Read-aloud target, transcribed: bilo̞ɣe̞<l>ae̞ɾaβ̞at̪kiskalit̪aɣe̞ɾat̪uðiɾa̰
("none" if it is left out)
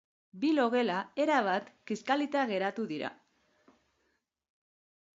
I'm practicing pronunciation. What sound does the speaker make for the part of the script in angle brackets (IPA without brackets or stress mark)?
l